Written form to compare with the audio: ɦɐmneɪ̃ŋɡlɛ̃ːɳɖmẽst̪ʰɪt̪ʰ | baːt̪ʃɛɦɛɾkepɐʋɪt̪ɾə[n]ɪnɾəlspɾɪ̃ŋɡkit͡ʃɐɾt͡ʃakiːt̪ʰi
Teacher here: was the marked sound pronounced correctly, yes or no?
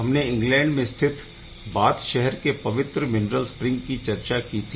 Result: no